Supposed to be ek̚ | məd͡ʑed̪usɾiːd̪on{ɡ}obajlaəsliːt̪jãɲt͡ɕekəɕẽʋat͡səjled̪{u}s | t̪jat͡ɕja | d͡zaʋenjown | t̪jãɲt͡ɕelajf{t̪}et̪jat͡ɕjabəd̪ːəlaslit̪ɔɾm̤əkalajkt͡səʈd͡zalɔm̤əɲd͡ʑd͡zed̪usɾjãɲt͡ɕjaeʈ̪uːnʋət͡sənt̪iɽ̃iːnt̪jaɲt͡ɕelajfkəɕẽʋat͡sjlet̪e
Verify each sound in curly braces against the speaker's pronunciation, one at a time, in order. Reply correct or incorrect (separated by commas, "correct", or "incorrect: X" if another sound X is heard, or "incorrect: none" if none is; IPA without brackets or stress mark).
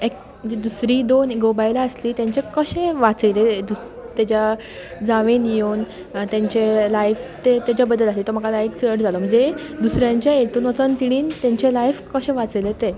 correct, correct, correct